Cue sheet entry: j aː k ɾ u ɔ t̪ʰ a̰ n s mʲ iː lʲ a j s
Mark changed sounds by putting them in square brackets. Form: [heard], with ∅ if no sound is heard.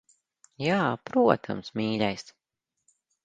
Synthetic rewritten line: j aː [p] ɾ u ɔ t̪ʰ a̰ [m] s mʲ iː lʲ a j s